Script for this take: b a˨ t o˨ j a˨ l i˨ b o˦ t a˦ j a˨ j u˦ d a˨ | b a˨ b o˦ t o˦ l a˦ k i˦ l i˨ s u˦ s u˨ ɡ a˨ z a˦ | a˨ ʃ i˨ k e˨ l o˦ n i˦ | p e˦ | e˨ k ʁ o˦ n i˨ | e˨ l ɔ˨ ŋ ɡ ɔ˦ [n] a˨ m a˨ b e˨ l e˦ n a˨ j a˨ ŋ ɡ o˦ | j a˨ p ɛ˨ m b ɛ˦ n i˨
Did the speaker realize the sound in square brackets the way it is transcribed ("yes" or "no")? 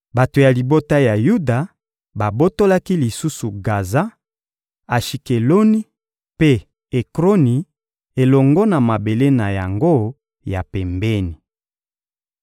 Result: yes